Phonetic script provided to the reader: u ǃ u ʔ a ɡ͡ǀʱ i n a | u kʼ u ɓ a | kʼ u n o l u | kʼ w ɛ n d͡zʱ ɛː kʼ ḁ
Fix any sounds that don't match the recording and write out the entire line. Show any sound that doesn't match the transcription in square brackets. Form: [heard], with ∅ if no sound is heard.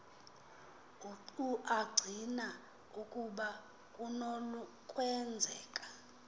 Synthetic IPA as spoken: u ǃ u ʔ a ɡ͡ǀʱ i n a | u kʼ u ɓ a | kʼ u n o l u | kʼ w ɛ n d͡zʱ ɛː kʼ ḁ